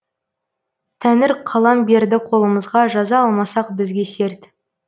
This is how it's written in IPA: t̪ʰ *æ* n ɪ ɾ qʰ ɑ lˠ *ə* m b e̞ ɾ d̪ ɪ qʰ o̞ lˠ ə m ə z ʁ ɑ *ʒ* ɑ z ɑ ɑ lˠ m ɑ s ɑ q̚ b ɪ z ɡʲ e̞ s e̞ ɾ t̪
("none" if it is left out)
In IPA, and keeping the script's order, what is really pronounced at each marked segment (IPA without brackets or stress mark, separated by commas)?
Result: æ, ɑ, ʒ